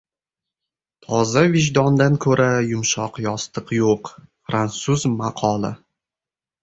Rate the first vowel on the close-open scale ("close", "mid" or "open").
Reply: open